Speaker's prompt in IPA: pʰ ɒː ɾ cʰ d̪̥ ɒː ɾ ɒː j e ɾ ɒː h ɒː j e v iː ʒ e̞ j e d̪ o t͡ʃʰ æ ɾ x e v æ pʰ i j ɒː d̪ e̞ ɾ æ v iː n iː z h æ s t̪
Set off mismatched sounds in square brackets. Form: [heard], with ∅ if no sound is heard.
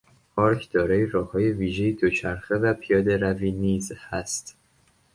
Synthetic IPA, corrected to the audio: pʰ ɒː ɾ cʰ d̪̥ ɒː ɾ ɒː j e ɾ ɒː h ɒː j e v iː ʒ e̞ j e d̪ o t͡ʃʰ æ ɾ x e v æ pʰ i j ɒː d̪ e̞ ɾ æ v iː n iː z h æ s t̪